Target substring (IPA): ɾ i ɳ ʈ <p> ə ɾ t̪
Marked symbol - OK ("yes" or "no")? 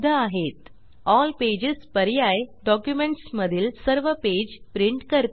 no